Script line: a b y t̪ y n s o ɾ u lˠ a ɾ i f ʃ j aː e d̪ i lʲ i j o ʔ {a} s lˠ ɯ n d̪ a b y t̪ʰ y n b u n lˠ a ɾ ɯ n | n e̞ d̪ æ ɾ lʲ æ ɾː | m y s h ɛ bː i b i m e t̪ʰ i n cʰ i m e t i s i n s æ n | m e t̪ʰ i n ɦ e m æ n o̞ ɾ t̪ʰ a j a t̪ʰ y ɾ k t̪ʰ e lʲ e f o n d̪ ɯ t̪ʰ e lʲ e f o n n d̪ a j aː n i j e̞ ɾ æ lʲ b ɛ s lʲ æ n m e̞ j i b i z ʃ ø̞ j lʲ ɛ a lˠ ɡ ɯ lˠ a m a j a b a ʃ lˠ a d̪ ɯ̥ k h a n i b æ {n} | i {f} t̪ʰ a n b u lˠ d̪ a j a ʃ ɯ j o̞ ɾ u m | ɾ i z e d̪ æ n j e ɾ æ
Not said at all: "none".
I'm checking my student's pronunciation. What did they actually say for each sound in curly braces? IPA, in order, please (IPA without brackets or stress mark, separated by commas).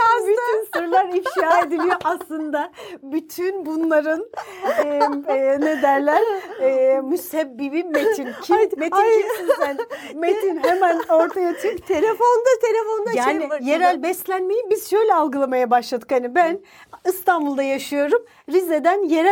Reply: a, n, s